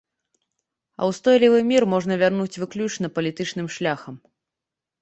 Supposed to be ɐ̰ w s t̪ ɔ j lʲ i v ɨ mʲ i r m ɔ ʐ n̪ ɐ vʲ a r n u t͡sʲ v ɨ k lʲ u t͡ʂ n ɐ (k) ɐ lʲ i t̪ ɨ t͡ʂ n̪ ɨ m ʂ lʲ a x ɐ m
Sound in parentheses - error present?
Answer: yes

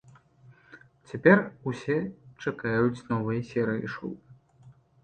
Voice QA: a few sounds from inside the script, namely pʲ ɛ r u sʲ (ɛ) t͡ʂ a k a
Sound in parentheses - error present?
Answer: no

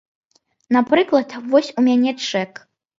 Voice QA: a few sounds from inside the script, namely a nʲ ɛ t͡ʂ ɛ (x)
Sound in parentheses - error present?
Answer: yes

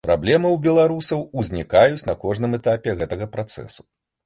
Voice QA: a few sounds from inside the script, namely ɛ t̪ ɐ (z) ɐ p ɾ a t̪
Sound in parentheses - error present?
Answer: yes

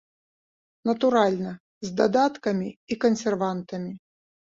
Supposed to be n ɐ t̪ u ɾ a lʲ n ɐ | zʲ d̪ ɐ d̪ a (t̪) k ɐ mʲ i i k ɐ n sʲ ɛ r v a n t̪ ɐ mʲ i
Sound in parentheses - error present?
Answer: no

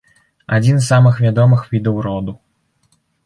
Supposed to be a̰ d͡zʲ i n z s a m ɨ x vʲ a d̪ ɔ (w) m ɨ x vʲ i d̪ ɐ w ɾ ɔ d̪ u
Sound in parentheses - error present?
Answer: yes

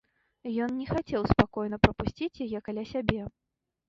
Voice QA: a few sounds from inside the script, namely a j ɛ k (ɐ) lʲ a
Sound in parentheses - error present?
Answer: yes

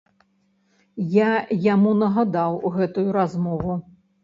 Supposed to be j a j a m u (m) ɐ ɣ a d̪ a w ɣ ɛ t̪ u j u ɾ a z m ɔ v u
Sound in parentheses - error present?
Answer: yes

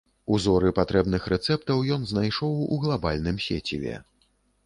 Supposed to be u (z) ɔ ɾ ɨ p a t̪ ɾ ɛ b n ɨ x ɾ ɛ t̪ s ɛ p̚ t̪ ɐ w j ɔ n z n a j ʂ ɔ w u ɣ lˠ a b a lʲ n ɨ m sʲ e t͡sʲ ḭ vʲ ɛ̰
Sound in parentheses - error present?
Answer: no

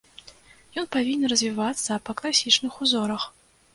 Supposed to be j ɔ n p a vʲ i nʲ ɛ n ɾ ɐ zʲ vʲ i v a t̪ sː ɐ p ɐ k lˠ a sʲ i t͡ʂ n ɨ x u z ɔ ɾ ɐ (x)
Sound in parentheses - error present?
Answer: no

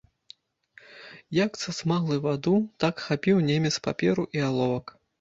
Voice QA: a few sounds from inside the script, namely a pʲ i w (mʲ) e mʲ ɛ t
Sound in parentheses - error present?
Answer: yes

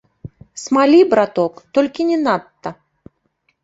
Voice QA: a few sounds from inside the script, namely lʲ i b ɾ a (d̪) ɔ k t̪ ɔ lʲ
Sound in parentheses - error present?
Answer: yes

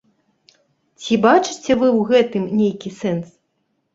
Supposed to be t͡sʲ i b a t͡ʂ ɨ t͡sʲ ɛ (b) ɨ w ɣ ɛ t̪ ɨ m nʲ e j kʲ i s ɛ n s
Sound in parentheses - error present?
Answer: yes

